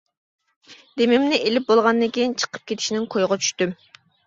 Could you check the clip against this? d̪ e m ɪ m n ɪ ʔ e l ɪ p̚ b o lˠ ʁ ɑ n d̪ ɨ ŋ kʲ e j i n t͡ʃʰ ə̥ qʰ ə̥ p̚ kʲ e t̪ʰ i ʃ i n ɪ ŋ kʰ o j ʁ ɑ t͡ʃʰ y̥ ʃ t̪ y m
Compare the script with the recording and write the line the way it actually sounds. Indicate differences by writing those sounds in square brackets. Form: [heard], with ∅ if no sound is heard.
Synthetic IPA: d̪ e m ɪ m n ɪ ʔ e l ɪ p̚ b o lˠ ʁ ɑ n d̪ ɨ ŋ kʲ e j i n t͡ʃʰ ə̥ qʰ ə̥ p̚ kʲ e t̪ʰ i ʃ i n ɪ ŋ kʰ o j ʁ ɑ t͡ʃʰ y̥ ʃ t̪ y m